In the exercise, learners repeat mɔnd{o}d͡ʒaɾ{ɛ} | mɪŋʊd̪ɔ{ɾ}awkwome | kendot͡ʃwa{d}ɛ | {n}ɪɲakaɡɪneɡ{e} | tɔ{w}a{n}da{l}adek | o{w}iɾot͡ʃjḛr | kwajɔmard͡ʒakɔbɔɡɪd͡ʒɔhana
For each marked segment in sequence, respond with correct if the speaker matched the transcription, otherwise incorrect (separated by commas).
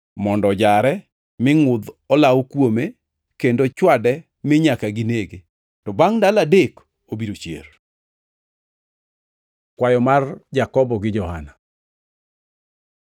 incorrect, correct, incorrect, correct, incorrect, correct, incorrect, incorrect, correct, incorrect